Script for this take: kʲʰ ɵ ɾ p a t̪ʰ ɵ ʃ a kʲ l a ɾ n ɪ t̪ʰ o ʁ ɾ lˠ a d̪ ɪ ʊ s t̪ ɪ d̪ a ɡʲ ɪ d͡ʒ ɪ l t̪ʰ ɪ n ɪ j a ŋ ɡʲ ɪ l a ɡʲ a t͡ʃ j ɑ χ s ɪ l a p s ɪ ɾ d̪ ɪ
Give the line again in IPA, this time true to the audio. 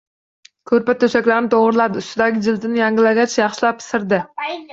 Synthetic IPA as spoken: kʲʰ ɵ ɾ p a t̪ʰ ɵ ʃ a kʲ l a ɾ n ɪ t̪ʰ o ʁ ɾ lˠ a d̪ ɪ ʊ s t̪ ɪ d̪ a ɡʲ ɪ d͡ʒ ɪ l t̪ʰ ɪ n ɪ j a ŋ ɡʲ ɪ l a ɡʲ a t͡ʃ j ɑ χ ʃ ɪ l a p s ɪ ɾ d̪ ɪ